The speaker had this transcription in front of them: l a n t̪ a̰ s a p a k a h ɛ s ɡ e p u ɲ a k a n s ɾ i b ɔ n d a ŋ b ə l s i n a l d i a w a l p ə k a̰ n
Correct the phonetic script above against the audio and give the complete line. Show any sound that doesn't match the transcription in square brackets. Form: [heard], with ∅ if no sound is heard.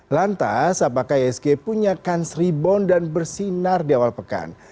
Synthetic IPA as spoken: l a n t̪ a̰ s a p a k a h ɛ s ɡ e p u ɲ a k a n s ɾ i b ɔ n d a [n] b ə [r] s i n a [r] d i a w a l p ə k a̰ n